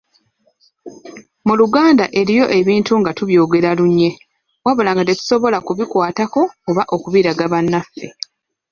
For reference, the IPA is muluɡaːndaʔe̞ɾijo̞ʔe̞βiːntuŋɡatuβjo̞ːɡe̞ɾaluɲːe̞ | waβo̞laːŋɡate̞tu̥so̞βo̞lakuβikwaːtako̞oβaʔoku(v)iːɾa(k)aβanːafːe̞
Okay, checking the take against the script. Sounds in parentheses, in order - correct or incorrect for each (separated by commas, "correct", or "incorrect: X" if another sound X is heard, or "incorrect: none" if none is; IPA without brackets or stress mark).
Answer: incorrect: β, incorrect: ɡ